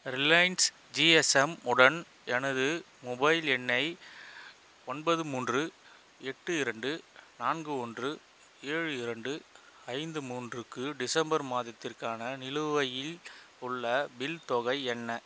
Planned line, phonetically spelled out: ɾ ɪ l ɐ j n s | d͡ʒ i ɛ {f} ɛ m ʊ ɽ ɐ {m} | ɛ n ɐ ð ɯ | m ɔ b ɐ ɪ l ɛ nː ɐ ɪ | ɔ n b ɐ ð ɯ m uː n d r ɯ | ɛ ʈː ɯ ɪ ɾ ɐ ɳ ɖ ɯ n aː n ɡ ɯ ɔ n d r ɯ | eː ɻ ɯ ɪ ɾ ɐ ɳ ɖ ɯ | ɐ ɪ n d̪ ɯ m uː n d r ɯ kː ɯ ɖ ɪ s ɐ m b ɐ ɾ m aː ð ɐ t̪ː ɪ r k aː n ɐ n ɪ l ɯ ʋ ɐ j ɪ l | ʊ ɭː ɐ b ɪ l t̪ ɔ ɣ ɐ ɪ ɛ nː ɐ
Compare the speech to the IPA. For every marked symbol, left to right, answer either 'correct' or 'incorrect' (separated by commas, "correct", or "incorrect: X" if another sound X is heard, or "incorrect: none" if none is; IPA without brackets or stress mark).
incorrect: s, incorrect: n